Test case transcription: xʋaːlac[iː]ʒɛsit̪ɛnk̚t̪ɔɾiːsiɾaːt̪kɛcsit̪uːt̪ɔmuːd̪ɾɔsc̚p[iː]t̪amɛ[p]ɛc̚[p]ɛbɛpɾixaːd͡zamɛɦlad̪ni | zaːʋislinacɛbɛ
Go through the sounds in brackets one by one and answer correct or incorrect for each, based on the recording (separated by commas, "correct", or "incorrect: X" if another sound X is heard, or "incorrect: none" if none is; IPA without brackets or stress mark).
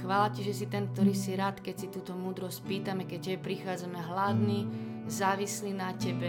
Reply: incorrect: i, correct, incorrect: k, incorrect: c